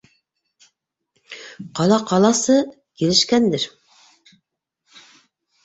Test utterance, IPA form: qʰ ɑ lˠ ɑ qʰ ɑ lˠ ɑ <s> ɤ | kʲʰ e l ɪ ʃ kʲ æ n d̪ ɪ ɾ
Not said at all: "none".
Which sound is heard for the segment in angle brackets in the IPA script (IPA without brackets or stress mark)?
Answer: s